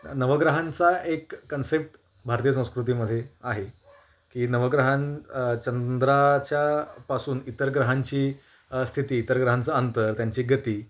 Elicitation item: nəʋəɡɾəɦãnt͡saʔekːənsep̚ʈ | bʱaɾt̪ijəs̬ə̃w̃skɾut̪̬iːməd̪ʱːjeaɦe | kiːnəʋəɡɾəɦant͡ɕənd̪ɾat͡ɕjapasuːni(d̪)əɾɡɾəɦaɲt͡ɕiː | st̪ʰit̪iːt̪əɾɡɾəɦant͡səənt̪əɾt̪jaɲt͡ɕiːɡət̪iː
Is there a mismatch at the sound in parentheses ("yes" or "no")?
yes